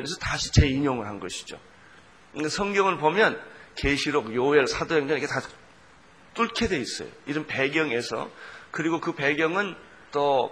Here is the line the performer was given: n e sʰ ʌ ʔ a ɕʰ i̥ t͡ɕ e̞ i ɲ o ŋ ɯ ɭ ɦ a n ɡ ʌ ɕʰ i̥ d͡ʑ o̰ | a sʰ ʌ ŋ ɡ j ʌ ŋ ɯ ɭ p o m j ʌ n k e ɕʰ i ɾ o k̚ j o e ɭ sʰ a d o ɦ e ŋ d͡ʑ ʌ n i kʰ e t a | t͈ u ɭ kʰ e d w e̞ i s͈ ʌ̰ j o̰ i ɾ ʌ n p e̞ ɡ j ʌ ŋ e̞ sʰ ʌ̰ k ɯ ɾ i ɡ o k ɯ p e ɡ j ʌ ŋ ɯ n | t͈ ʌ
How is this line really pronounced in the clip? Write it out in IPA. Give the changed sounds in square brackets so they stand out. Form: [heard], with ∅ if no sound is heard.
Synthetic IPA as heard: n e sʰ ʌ [t] a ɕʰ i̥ t͡ɕ e̞ i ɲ o ŋ ɯ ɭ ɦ a n ɡ ʌ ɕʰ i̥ d͡ʑ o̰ | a sʰ ʌ ŋ ɡ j ʌ ŋ ɯ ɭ p o m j ʌ n k e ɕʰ i ɾ o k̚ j o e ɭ sʰ a d o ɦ e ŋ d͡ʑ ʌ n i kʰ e t a | t͈ u ɭ kʰ e d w e̞ i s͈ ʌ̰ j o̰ i ɾ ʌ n p e̞ ɡ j ʌ ŋ e̞ sʰ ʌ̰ k ɯ ɾ i ɡ o k ɯ p e ɡ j ʌ ŋ ɯ n | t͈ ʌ